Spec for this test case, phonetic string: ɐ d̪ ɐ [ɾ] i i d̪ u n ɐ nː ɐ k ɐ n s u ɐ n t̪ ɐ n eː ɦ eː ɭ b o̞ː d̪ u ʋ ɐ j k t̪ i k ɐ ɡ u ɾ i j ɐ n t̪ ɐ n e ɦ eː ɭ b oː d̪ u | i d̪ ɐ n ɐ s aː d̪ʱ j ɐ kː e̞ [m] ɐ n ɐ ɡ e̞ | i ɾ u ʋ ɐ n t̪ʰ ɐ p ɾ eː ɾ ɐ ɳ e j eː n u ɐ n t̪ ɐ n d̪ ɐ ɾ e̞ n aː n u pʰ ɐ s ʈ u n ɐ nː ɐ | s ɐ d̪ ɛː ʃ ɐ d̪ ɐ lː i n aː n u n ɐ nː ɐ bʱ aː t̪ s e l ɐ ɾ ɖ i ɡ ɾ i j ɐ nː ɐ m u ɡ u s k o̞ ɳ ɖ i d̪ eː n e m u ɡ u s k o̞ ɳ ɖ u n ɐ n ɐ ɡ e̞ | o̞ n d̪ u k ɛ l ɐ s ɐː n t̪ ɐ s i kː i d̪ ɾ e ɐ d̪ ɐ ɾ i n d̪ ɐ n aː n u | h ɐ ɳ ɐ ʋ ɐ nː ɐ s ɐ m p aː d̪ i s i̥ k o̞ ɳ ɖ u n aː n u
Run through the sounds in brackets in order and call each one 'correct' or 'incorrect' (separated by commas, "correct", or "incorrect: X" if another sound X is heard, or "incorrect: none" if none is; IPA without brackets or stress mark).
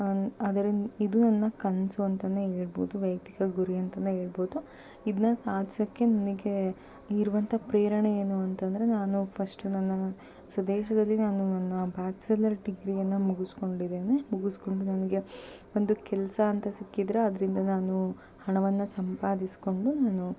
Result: correct, incorrect: n